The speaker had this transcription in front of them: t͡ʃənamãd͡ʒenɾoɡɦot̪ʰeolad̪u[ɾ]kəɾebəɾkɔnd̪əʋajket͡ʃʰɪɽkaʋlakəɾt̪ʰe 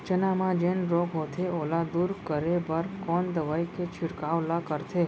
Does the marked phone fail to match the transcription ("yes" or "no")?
no